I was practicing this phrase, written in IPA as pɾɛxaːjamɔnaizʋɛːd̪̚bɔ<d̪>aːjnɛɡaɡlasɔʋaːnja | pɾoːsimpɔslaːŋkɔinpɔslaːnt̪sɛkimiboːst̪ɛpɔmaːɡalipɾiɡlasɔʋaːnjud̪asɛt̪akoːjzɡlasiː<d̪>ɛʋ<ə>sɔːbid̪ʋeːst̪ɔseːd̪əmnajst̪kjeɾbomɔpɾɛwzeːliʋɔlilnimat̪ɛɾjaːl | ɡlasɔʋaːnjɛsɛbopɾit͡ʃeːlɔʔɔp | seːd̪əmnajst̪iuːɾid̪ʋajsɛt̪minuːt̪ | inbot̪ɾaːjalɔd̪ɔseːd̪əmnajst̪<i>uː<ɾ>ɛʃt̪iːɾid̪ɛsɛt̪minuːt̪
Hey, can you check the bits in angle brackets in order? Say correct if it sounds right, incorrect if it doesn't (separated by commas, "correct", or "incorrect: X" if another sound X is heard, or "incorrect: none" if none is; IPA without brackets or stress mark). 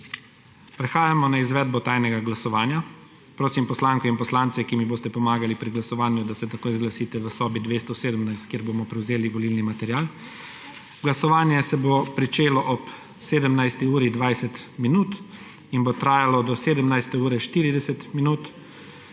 incorrect: t̪, incorrect: t̪, correct, incorrect: ɛ, correct